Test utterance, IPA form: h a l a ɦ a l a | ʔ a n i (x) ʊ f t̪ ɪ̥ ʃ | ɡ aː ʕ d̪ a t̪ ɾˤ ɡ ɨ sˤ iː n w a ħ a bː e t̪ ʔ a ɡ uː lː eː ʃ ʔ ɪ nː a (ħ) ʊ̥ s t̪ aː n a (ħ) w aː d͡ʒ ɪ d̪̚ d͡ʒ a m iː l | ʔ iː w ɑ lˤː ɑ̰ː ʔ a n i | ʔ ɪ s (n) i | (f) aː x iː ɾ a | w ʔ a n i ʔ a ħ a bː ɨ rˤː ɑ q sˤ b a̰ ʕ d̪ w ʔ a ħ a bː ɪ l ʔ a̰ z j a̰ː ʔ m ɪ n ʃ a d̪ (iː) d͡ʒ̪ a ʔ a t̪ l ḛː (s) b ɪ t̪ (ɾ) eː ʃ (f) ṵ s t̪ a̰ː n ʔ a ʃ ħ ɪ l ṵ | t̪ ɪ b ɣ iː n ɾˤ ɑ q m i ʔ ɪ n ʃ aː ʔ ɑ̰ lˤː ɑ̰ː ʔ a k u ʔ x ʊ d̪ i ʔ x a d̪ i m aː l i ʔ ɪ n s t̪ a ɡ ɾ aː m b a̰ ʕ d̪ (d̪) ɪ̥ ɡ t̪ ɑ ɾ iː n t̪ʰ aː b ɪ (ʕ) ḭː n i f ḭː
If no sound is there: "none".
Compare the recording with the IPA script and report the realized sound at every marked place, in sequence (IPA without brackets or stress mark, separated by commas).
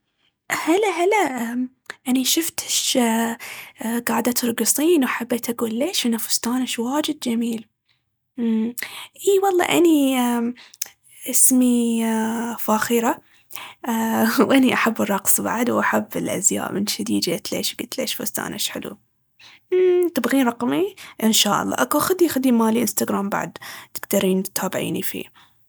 ʃ, f, ʃ, m, f, iː, ʃ, l, f, t̪, ʕ